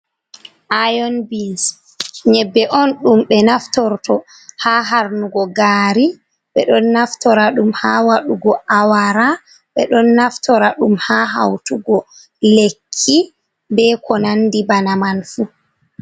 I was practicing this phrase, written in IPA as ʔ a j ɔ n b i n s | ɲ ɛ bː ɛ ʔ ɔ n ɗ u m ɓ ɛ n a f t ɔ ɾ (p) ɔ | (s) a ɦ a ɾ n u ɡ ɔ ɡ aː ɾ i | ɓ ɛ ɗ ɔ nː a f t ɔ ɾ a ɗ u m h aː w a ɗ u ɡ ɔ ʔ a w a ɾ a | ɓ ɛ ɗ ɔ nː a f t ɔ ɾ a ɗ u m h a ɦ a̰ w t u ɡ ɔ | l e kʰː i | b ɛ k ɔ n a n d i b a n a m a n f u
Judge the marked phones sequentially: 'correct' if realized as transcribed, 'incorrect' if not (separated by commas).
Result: incorrect, incorrect